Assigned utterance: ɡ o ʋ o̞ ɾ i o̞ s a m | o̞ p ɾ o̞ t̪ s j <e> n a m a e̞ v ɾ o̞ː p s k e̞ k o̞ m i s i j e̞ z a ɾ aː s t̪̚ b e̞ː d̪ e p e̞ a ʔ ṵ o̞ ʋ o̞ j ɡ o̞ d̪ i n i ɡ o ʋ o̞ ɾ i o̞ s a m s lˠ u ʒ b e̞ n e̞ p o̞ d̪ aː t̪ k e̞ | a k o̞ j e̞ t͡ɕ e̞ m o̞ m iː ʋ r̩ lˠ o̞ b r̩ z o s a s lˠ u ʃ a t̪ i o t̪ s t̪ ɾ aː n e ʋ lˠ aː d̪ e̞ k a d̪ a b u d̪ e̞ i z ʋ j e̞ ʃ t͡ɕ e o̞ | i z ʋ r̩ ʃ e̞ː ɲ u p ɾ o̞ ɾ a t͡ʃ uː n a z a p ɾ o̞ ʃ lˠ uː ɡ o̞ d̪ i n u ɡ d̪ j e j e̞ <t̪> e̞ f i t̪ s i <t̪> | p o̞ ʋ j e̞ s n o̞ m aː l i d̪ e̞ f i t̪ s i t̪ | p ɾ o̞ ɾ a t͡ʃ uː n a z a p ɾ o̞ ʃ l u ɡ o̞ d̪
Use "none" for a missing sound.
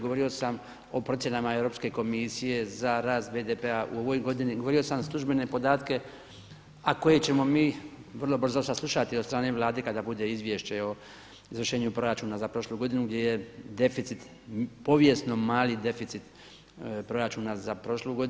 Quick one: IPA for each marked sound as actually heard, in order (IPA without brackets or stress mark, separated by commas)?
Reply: e, d̪, t̪